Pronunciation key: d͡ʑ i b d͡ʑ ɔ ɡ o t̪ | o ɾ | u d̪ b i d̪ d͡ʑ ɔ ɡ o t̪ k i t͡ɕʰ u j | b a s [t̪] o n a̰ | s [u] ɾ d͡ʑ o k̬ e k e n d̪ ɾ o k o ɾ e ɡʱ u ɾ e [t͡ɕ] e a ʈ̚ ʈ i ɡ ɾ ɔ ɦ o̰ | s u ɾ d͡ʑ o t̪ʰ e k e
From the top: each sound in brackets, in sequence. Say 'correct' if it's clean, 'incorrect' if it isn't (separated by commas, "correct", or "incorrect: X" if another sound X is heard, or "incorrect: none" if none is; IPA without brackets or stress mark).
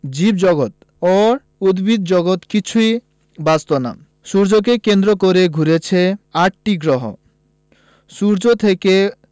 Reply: correct, correct, incorrect: t͡ɕʰ